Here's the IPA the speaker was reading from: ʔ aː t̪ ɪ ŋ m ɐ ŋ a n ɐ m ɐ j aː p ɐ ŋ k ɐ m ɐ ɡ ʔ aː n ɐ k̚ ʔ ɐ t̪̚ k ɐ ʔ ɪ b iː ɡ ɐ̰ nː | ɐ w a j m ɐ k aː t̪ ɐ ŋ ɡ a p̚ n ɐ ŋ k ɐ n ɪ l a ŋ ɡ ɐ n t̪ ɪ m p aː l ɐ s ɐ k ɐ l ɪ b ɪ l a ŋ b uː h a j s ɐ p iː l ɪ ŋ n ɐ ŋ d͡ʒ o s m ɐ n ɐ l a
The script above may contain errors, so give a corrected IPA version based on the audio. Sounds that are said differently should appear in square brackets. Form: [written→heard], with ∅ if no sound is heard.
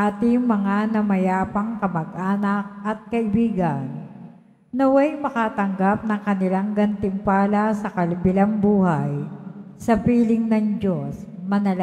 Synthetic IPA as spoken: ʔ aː t̪ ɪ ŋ m ɐ ŋ a n ɐ m ɐ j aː p ɐ ŋ k ɐ m ɐ ɡ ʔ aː n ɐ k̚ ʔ ɐ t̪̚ k ɐ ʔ ɪ b iː ɡ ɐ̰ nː | ɐ w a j m ɐ k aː t̪ ɐ ŋ ɡ a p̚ n ɐ ŋ k ɐ n ɪ l a ŋ ɡ ɐ n t̪ ɪ m p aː l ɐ s ɐ k ɐ l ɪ b ɪ l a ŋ b uː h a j s ɐ p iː l ɪ ŋ n ɐ ŋ d͡ʒ o s m ɐ n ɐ l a